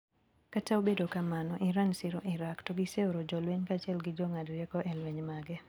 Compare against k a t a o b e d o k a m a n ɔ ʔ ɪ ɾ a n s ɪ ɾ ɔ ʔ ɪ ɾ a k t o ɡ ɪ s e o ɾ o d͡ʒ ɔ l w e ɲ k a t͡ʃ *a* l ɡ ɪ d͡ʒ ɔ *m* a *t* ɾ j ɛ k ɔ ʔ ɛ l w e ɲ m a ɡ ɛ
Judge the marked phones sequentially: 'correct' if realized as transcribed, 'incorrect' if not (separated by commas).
incorrect, incorrect, incorrect